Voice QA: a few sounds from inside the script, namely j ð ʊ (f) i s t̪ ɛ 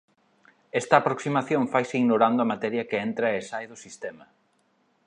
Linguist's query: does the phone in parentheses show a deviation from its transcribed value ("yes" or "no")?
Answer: yes